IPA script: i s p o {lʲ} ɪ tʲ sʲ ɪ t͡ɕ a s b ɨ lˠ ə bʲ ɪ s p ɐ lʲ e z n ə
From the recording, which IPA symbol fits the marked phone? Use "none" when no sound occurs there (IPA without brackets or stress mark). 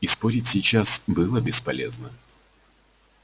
ɾʲ